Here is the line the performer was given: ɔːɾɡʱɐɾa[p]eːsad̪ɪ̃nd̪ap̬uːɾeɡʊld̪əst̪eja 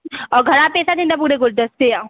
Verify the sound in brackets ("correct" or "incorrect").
correct